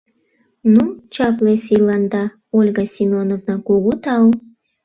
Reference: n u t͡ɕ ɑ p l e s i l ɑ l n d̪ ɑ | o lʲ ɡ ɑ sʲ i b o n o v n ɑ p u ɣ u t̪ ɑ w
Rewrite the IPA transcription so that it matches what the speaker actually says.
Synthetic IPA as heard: n u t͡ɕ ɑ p l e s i l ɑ n d̪ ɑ | o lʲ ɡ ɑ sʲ i m o n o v n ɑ k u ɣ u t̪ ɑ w